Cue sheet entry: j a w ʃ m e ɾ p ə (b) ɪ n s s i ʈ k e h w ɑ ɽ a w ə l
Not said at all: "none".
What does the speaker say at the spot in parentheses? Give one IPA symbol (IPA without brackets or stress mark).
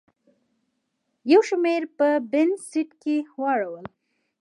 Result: b